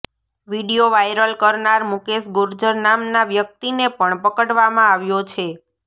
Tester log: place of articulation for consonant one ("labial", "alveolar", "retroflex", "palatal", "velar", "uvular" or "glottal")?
labial